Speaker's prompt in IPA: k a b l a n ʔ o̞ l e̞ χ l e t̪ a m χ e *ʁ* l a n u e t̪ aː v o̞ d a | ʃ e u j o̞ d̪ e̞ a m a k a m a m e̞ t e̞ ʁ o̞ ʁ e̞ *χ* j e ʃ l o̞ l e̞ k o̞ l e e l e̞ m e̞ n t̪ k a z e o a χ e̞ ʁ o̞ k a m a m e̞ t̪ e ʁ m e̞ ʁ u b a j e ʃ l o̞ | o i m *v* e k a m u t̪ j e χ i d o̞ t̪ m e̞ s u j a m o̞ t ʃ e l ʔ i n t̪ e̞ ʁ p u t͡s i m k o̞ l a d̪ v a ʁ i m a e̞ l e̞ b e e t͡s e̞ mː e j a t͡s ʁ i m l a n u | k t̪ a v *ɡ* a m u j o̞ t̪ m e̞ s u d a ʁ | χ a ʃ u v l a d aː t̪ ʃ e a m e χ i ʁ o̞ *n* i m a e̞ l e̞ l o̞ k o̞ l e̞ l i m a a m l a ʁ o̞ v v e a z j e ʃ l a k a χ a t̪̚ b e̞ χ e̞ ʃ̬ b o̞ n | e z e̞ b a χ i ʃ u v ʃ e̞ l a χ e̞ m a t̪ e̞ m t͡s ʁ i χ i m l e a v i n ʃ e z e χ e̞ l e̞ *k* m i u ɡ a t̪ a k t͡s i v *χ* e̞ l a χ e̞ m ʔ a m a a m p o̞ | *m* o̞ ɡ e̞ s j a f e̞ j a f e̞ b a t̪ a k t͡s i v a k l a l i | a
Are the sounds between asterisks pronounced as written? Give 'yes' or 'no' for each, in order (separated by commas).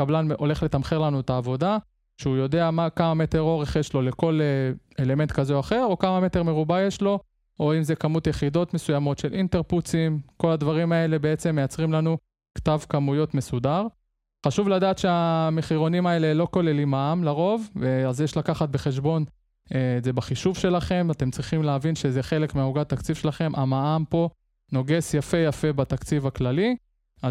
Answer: yes, yes, no, no, yes, yes, no, no